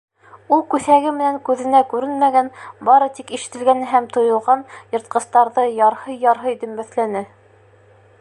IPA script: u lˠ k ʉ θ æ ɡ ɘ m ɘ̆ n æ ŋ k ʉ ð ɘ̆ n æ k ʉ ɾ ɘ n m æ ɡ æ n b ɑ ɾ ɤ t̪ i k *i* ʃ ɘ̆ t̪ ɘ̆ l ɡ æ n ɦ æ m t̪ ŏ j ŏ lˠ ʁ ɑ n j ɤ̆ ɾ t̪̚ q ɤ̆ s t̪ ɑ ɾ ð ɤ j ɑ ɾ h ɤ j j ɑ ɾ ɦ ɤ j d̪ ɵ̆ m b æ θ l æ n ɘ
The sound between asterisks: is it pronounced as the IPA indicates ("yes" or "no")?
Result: yes